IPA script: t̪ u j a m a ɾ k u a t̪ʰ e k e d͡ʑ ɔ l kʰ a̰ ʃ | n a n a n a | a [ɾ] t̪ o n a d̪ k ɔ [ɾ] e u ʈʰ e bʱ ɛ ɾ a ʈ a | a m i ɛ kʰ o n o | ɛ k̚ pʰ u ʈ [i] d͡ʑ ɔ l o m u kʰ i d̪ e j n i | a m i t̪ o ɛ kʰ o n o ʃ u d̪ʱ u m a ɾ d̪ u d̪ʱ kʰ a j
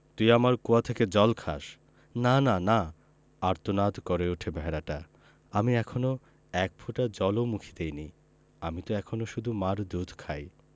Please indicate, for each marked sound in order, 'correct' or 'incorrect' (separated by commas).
correct, correct, incorrect